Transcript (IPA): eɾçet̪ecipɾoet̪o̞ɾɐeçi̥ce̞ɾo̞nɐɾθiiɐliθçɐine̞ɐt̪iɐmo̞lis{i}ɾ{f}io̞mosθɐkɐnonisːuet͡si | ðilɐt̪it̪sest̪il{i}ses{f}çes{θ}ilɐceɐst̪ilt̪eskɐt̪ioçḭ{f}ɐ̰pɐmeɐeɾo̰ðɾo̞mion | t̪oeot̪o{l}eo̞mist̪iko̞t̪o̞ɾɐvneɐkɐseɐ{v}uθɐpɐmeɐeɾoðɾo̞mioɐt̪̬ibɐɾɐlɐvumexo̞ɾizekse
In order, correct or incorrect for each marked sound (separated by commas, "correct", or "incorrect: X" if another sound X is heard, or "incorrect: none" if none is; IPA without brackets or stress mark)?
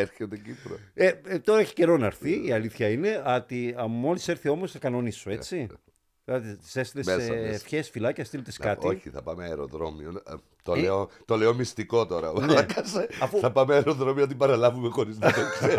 incorrect: e, incorrect: θ, incorrect: e, correct, incorrect: f, incorrect: θ, correct, incorrect: f